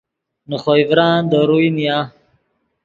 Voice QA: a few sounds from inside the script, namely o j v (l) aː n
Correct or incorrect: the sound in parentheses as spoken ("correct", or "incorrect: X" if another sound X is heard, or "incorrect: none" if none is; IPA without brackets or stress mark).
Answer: incorrect: ɾ